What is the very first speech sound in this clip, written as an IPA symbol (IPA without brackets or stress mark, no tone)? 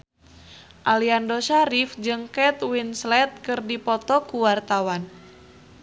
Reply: ʔ